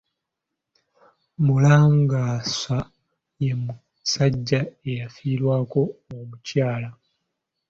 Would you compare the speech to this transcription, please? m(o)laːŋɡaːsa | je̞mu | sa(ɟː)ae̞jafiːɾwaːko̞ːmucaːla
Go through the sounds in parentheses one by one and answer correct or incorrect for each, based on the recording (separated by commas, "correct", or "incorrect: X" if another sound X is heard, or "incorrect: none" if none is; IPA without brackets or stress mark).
incorrect: u, correct